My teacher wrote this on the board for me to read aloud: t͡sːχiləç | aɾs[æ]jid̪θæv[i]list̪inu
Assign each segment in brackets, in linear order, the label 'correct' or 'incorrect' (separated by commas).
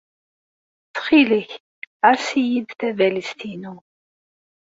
incorrect, incorrect